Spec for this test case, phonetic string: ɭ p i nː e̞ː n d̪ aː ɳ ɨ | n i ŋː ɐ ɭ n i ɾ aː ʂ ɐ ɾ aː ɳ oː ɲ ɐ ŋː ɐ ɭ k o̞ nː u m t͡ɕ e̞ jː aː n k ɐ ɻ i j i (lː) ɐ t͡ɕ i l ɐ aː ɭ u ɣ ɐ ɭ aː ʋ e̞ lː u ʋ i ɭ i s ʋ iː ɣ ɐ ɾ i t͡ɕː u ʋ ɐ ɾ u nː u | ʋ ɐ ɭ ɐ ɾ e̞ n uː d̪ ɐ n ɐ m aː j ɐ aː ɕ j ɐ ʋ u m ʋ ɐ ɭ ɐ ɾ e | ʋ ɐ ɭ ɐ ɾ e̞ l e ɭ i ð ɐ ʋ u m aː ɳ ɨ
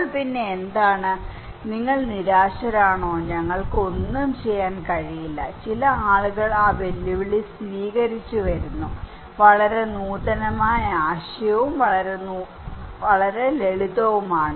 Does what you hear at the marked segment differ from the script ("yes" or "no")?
no